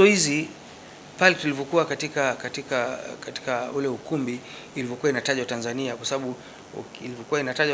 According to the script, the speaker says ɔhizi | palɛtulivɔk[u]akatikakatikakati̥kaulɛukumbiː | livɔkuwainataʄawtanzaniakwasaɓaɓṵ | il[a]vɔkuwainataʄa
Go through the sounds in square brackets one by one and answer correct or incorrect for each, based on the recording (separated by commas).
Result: correct, incorrect